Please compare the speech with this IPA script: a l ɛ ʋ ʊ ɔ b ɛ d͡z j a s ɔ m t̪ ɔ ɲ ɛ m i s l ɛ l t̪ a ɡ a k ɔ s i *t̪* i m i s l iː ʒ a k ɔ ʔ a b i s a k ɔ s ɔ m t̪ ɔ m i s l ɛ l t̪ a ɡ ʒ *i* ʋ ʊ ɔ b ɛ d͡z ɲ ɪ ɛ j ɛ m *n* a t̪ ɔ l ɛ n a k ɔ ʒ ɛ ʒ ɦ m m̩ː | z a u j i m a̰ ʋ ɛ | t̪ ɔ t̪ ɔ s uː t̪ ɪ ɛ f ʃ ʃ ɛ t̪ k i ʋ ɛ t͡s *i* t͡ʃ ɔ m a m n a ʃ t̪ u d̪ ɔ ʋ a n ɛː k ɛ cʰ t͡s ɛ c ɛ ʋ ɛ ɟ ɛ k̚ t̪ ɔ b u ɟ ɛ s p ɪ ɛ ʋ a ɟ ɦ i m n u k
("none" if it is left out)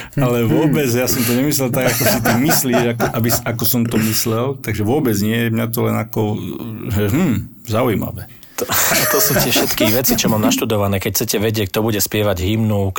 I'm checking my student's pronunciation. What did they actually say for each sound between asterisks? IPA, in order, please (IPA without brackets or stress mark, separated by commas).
t̪, ɛ, ɲ, i